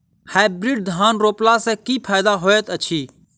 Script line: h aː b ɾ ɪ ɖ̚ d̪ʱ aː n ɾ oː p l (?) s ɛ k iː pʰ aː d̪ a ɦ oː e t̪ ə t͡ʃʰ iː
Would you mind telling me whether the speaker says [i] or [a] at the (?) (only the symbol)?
a